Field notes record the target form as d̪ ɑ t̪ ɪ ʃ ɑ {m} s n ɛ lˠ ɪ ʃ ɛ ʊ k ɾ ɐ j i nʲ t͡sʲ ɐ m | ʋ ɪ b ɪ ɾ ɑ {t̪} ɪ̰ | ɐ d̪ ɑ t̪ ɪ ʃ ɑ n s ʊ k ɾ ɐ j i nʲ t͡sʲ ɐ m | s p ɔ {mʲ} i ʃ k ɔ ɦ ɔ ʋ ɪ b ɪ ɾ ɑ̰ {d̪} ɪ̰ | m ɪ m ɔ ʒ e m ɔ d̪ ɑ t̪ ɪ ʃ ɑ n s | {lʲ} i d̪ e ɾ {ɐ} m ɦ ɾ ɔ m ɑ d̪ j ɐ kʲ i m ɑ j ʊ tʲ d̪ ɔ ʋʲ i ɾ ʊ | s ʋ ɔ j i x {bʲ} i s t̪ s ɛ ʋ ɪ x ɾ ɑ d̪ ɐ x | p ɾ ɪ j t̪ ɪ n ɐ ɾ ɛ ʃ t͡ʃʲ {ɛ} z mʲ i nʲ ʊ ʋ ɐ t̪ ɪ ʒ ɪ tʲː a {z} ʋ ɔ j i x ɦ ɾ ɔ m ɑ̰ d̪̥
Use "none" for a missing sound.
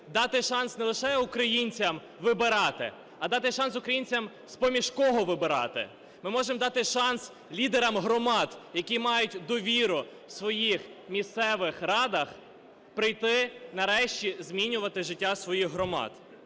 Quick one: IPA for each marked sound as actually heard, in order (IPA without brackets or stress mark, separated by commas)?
n, t̪, mʲ, t̪, lʲ, ɐ, mʲ, i, s